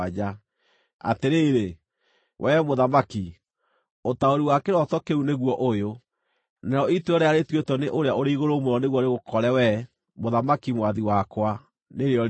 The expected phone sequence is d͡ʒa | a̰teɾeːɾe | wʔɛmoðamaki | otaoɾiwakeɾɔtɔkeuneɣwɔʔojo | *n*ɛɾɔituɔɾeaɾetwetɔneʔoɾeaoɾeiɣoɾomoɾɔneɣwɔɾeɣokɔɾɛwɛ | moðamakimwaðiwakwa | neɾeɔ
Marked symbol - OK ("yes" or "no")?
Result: yes